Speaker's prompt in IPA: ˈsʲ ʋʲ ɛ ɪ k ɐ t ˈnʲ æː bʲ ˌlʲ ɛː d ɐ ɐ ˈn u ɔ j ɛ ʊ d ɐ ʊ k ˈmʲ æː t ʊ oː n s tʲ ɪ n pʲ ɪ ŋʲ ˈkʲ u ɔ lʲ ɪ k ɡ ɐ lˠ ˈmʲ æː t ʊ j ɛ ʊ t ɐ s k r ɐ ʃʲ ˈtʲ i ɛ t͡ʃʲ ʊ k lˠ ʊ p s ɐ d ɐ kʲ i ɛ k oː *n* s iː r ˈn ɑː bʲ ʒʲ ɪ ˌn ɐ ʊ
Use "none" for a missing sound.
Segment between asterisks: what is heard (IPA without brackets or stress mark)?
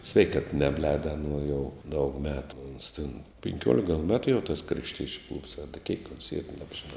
n